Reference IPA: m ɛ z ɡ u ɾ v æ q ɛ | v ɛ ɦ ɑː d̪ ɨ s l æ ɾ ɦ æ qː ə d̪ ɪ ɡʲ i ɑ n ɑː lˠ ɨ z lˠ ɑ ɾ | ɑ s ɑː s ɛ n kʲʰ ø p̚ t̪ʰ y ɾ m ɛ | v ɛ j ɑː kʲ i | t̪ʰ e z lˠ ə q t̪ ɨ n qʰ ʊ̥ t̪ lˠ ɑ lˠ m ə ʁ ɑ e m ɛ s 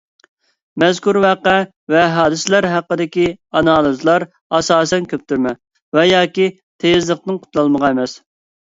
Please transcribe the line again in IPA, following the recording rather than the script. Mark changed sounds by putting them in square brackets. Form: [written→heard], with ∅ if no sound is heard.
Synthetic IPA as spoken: m ɛ z [ɡ→k] u ɾ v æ q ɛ | v ɛ ɦ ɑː d̪ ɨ s l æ ɾ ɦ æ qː ə d̪ ɪ [ɡʲ→kʲ] i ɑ n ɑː lˠ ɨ z lˠ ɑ ɾ | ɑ s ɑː s ɛ n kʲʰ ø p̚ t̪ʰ y ɾ m ɛ | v ɛ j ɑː kʲ i | t̪ʰ e z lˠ ə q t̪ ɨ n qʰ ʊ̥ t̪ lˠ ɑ lˠ m ə ʁ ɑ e m ɛ s